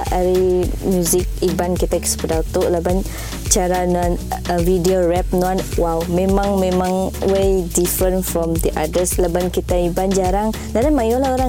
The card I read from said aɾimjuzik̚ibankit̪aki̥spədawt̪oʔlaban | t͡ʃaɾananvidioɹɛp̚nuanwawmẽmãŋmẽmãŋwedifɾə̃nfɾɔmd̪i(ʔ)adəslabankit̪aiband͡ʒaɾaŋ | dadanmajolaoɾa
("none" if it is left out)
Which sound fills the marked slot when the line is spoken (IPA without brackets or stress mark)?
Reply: ʔ